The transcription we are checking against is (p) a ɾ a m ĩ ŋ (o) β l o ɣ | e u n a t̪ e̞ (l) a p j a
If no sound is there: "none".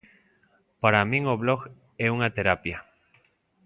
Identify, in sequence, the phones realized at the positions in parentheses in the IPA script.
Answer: p, o, ɾ

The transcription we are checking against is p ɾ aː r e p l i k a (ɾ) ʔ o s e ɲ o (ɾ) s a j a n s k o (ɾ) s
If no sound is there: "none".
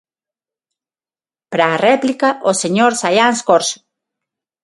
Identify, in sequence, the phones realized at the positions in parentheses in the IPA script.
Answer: none, ɾ, ɾ

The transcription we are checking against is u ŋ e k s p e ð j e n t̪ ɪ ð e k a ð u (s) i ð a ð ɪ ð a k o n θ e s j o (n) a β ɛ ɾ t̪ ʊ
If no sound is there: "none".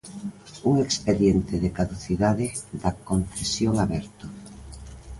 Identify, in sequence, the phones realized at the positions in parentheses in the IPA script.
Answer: θ, ŋ

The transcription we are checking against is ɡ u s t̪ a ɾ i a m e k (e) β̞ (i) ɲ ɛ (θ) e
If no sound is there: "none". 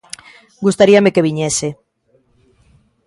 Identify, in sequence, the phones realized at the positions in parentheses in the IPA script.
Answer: e, i, s

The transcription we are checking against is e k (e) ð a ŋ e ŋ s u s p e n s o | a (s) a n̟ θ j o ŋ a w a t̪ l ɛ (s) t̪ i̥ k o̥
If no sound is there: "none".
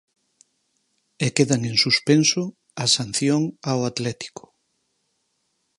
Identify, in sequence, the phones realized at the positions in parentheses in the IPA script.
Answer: e, s, none

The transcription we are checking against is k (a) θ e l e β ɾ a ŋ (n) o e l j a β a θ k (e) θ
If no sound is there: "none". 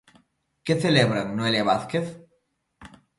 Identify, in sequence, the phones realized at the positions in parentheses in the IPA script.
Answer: e, n, e

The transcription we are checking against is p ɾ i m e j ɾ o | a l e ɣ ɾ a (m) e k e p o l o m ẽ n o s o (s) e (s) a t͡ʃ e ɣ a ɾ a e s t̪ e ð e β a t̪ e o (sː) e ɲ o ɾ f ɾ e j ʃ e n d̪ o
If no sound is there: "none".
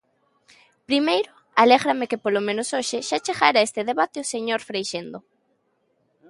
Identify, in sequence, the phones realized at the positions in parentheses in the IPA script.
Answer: m, ʃ, ʃ, s

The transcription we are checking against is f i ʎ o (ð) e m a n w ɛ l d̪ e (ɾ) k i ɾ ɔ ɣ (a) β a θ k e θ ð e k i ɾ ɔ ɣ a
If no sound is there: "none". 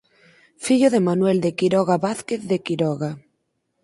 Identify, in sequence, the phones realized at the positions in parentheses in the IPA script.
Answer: ð, none, a

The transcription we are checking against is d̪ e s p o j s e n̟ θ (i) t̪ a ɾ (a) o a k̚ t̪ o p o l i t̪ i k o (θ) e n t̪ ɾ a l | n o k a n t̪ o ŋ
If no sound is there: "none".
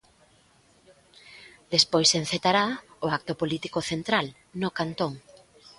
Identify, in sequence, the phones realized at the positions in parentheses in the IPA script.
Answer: e, a, θ

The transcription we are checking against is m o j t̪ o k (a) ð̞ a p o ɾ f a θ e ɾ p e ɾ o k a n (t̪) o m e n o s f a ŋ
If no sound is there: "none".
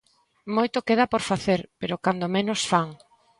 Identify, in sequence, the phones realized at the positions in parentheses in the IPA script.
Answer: e, d̪

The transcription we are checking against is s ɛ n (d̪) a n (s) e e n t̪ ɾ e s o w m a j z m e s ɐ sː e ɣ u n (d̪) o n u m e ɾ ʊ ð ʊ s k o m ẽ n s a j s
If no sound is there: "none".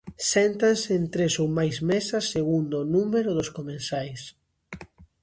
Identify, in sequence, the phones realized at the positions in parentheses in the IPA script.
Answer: t̪, s, d̪

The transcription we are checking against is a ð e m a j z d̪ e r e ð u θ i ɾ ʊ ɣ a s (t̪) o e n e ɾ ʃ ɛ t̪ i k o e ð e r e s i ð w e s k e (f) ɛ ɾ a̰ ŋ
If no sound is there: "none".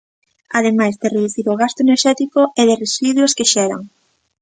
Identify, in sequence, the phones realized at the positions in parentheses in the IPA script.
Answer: t̪, ʃ

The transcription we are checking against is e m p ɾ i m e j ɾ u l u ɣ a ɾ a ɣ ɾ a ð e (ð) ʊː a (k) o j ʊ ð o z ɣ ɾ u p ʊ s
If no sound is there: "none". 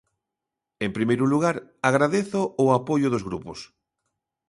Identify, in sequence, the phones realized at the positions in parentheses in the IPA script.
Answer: θ, p

